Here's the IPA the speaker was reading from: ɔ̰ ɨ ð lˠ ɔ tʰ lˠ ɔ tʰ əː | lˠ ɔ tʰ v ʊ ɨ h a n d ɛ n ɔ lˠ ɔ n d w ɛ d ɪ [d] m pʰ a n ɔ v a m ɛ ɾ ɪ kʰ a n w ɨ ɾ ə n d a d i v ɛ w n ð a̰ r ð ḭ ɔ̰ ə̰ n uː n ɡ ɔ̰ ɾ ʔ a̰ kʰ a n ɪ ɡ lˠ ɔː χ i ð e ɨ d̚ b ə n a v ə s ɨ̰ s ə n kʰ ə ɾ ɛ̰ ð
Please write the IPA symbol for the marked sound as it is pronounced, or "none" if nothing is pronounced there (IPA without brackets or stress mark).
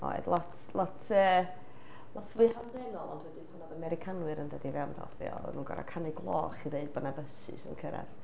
none